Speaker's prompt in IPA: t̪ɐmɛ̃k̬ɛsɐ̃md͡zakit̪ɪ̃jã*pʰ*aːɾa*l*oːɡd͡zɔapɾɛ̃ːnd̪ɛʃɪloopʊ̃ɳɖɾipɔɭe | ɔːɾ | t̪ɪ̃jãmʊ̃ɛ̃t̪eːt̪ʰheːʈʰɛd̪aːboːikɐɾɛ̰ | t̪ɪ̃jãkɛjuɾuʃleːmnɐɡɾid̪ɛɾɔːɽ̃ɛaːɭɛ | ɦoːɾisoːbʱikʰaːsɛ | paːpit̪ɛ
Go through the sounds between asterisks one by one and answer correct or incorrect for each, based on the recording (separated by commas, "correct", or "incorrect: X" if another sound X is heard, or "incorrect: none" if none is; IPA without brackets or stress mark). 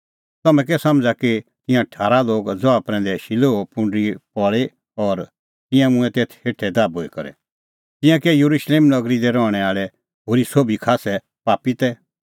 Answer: incorrect: ʈʰ, correct